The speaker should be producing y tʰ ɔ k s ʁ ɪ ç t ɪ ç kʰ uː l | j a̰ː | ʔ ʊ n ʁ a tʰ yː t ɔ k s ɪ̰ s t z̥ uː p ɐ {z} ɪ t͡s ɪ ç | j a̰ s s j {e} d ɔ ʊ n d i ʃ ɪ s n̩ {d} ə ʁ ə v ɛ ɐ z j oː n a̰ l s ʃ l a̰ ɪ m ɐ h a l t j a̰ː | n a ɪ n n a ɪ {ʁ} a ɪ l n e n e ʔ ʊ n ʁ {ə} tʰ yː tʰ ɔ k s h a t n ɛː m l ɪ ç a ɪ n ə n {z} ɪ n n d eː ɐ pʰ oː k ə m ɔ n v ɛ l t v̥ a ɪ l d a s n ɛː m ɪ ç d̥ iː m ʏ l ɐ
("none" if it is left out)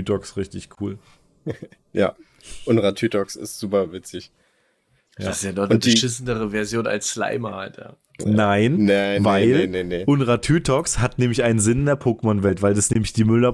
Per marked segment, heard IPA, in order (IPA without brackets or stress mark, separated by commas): v, a, d, v, a, z